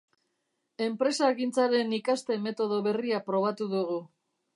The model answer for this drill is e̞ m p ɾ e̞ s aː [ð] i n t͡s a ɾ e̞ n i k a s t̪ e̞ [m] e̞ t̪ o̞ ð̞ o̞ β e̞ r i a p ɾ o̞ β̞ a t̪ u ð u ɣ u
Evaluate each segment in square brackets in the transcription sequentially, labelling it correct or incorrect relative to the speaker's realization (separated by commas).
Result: incorrect, correct